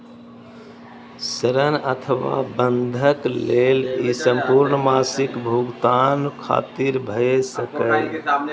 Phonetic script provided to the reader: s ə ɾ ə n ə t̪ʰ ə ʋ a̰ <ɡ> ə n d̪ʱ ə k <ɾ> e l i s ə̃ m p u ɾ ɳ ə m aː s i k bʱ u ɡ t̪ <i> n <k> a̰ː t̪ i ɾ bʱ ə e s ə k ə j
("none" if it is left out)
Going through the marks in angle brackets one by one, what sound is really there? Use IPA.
b, l, a, kʰ

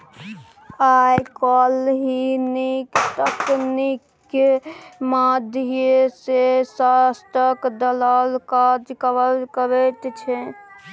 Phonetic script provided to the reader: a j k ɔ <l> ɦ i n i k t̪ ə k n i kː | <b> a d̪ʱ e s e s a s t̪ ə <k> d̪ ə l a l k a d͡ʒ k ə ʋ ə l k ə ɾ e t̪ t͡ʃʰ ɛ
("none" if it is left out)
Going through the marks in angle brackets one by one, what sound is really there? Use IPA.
l, m, k

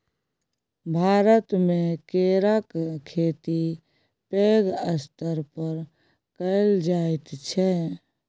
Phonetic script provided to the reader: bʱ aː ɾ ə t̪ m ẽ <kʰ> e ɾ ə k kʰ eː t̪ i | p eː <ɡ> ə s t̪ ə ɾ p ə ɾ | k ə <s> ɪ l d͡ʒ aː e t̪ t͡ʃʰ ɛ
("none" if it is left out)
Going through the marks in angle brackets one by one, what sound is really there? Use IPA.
k, ɡ, none

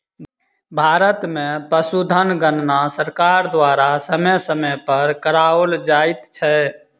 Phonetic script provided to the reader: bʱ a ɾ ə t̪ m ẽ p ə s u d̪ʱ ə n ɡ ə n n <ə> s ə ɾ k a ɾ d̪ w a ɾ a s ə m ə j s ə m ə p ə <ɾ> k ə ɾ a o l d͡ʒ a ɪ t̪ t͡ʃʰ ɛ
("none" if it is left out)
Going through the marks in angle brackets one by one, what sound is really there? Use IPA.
a, ɾ

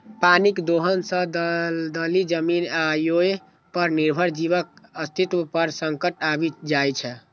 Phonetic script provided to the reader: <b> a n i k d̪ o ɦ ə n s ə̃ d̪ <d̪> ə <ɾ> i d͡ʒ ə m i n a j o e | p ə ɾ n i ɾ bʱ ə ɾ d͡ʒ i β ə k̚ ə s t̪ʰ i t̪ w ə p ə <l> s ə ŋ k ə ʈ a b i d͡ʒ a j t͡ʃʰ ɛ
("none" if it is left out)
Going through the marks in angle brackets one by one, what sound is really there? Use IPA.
p, d̪, l, ɾ

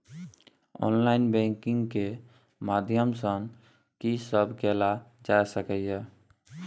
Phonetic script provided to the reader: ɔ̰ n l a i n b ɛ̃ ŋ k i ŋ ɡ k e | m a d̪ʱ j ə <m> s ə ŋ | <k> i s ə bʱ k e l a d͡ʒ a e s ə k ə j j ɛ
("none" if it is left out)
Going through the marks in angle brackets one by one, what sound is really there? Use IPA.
m, k

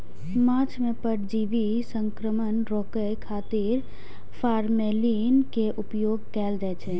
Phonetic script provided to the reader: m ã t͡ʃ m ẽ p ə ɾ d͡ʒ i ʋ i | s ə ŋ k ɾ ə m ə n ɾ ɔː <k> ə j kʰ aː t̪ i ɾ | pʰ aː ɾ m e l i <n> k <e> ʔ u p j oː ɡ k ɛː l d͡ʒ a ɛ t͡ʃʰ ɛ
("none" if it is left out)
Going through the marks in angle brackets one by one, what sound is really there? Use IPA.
k, n, e

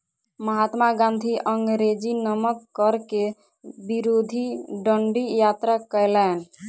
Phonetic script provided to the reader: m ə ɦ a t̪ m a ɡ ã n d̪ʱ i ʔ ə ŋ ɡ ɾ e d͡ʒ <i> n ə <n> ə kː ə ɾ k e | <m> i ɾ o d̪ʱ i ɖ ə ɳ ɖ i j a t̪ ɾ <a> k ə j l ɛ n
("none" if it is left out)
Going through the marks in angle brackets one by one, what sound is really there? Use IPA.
i, m, b, a

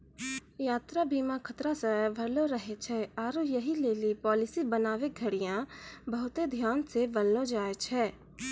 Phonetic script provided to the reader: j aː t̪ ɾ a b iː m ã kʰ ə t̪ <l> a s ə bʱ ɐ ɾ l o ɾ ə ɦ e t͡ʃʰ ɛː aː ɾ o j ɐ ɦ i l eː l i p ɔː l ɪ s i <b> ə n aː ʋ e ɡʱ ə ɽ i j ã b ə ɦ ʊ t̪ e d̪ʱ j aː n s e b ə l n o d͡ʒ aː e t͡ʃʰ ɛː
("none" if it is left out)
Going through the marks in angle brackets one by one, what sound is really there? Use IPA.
ɾ, b

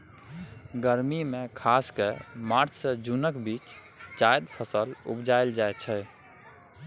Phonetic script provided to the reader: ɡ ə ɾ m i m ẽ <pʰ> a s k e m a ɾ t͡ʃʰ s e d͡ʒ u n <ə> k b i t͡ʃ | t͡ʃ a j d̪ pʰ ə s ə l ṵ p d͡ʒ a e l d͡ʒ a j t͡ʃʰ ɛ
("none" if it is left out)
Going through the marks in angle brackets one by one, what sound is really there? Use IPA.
kʰ, ə

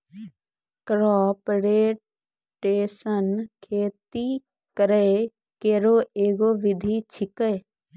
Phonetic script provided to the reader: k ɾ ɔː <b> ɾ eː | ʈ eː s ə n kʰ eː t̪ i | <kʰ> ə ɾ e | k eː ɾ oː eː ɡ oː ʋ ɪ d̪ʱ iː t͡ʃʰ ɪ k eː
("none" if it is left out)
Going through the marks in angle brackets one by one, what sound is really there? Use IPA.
p, k

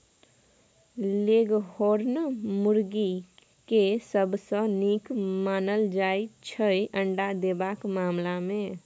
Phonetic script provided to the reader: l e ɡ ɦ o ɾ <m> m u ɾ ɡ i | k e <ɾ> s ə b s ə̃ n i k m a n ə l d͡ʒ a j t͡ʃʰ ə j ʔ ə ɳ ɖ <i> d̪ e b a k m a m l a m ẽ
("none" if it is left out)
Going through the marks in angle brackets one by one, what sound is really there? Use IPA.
n, none, a

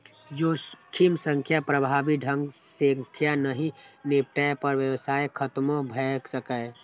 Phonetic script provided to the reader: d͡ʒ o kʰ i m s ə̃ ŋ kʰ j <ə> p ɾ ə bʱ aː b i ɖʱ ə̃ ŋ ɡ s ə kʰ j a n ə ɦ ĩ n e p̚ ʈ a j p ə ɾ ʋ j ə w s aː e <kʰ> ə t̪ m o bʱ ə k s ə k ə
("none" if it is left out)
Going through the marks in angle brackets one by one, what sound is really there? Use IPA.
a, kʰ

